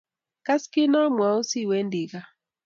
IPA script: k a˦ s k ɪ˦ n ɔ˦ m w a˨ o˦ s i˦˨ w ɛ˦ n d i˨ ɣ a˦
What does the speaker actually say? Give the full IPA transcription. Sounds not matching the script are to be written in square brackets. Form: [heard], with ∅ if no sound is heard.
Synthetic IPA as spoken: k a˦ s k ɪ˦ n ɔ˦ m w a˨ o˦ s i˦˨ w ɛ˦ n d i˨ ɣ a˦

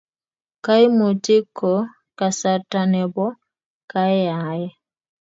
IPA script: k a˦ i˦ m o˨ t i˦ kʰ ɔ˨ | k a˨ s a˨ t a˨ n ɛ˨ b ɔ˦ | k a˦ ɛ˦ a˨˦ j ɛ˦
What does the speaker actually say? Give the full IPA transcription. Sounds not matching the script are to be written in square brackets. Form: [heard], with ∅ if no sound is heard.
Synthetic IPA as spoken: k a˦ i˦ m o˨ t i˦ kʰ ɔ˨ | k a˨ s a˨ t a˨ n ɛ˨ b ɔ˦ | k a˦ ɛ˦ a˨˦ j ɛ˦

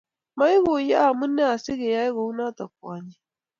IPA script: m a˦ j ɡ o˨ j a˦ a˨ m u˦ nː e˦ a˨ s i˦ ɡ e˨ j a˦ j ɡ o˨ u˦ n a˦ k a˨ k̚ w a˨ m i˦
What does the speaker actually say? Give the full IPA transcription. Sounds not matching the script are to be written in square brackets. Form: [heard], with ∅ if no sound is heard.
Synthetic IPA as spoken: m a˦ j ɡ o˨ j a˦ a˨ m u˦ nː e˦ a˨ s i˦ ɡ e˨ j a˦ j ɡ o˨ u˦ n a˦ [t] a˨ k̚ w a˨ [ɲ] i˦

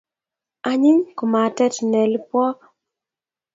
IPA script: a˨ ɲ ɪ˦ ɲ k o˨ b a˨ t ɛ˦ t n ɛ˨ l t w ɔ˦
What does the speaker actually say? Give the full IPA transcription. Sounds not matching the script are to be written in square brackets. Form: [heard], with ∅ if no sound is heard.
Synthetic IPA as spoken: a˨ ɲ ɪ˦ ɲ k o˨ [m] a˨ t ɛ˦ t n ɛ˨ l [p] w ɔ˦

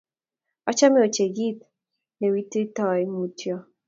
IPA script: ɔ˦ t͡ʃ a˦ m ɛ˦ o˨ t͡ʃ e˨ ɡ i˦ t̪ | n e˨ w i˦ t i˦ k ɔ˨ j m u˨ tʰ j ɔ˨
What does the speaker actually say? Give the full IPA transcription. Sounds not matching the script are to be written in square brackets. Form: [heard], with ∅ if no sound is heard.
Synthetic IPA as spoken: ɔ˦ t͡ʃ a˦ m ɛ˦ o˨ t͡ʃ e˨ ɡ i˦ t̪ | n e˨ w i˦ t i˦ [t] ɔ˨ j m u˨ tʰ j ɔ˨

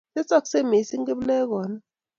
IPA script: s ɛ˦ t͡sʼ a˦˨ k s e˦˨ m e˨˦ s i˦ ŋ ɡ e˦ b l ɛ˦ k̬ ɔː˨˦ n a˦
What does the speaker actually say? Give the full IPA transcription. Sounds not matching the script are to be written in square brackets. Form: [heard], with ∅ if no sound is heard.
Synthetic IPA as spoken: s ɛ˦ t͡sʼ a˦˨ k s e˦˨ m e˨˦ s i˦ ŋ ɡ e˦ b l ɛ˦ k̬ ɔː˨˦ n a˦

